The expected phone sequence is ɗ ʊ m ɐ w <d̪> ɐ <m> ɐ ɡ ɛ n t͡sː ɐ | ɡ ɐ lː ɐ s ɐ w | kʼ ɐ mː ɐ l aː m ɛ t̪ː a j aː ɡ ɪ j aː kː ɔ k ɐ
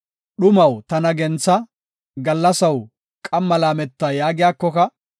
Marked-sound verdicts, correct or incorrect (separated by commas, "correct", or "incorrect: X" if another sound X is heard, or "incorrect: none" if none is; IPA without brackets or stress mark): incorrect: t̪, incorrect: n